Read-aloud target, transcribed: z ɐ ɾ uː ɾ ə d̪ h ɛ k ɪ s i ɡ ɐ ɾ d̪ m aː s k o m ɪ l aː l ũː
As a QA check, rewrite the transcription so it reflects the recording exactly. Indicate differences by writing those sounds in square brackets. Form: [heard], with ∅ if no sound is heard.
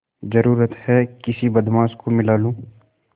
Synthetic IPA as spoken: z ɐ ɾ uː ɾ ə [t̪] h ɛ k ɪ s i [b] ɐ [∅] d̪ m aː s k o m ɪ l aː l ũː